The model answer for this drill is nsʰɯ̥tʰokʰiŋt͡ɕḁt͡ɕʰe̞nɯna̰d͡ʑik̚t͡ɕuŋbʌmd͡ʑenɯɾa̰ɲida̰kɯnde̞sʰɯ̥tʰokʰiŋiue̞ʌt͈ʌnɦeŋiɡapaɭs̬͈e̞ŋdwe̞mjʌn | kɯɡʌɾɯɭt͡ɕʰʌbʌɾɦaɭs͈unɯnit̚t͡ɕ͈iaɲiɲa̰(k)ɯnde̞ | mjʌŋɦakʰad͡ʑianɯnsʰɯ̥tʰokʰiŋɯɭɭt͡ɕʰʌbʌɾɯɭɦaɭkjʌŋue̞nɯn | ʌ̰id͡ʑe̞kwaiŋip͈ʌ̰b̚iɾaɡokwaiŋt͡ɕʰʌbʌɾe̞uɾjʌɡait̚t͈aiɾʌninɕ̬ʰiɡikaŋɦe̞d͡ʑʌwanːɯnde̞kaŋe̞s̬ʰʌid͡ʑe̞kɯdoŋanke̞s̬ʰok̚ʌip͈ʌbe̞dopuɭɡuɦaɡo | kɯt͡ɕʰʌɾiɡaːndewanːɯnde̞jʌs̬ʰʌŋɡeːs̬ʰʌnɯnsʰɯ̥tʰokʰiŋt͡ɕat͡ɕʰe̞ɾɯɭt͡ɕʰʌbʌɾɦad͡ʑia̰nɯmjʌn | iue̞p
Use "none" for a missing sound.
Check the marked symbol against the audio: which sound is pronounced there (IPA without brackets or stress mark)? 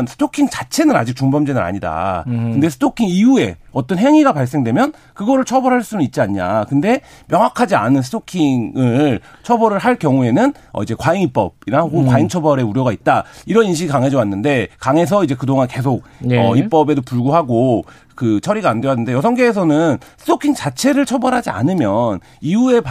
k